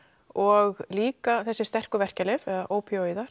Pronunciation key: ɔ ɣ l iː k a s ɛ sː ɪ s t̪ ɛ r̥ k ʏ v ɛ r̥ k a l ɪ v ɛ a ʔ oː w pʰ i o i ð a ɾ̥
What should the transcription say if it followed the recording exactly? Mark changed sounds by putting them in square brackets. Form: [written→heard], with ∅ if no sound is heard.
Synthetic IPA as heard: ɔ ɣ l iː k a [s→θ] ɛ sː ɪ s t̪ ɛ r̥ k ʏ v ɛ r̥ [k→c] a l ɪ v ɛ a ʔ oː w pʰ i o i ð a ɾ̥